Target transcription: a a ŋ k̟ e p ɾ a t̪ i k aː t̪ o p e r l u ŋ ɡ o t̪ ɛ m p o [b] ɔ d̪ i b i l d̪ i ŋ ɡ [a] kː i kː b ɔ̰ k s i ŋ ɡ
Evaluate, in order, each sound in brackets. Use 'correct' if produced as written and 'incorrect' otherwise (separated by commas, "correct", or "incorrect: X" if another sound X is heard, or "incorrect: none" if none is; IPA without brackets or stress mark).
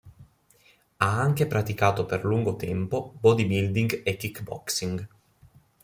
correct, incorrect: e